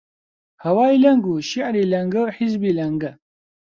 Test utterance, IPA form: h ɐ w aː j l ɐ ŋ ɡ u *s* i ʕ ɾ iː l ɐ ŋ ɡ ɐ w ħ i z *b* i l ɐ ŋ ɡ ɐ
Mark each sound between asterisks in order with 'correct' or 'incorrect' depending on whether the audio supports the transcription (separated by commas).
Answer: incorrect, correct